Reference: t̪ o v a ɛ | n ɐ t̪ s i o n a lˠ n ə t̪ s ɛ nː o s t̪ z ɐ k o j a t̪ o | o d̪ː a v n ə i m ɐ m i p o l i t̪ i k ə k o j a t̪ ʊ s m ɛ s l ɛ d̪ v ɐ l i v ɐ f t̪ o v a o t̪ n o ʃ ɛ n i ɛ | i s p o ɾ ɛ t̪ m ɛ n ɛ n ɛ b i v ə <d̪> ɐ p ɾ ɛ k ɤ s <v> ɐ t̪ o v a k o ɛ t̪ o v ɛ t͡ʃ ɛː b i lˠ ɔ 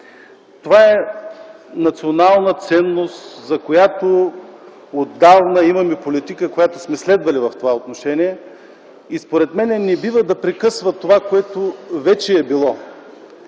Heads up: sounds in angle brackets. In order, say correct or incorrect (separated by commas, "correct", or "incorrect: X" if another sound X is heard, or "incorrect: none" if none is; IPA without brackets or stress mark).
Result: correct, correct